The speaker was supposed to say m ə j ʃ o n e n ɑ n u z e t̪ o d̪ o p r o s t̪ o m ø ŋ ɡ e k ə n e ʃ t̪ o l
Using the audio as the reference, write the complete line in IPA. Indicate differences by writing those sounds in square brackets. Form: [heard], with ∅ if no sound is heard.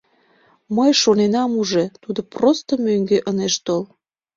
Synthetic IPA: m ə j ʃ o n e n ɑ [m] u [ʒ] e t̪ [u] d̪ o p r o s t̪ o m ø ŋ ɡ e [ʔ] ə n e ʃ t̪ o l